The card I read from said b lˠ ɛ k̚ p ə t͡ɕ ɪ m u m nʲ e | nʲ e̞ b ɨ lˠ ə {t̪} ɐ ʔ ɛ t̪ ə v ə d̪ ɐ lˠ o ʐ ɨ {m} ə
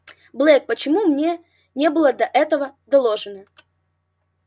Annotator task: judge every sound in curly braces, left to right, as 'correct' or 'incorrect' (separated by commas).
incorrect, incorrect